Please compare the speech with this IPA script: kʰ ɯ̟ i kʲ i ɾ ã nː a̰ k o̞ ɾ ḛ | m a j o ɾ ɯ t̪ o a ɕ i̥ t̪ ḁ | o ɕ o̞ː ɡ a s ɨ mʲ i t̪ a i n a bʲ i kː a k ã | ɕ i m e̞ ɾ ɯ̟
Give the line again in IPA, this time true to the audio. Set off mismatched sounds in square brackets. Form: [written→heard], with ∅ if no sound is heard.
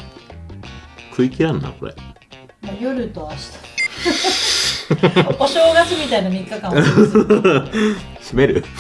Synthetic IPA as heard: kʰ ɯ̟ i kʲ i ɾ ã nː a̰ k o̞ ɾ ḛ | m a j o ɾ ɯ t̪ o a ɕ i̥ t̪ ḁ | o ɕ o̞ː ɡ a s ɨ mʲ i t̪ a i n a [bʲ→mʲ] i kː a k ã | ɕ i m e̞ ɾ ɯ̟